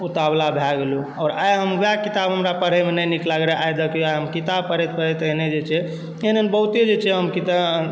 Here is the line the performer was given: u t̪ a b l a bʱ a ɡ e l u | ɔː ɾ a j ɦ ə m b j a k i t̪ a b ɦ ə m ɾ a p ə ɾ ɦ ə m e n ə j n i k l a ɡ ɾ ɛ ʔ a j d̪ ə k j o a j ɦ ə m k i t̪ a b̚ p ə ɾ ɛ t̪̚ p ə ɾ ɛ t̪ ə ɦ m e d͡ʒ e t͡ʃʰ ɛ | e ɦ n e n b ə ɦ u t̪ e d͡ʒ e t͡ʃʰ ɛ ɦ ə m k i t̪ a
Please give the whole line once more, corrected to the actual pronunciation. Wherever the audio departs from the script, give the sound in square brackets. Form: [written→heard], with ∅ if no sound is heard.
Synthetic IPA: u t̪ a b l a bʱ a ɡ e l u | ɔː ɾ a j ɦ ə m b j a k i t̪ a b ɦ ə m ɾ a p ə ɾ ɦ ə m e n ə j n i k l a ɡ ɾ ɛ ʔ a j d̪ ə k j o a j ɦ ə m k i t̪ a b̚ p ə ɾ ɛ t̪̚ p ə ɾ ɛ t̪ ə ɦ [m→n] e d͡ʒ e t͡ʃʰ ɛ | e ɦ n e n b ə ɦ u t̪ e d͡ʒ e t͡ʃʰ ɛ ɦ ə m k i t̪ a